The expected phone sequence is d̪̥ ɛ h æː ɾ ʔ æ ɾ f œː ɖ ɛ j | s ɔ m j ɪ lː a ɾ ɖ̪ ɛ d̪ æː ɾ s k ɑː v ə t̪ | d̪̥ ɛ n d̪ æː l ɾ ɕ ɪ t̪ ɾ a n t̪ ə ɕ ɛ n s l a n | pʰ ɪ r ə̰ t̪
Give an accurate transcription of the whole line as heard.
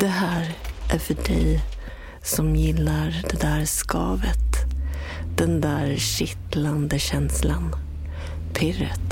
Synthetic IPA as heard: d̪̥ ɛ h æː ɾ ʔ æ ɾ f œ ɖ ɛ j | s ɔ m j ɪ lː a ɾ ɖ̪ ɛ d̪ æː ɾ s k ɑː v ə t̪ | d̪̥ ɛ n d̪ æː ɾ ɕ ɪ t̪ l a n d̪ ə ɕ ɛ n s l a n | pʰ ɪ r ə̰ t̪